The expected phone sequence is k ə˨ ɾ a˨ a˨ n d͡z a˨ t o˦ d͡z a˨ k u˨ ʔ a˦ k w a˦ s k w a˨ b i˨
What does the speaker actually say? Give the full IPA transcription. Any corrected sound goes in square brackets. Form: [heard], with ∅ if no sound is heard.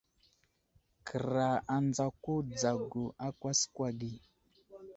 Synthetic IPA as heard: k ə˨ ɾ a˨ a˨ n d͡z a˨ [k] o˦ d͡z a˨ [ɡ] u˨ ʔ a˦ k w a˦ s k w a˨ [ɡ] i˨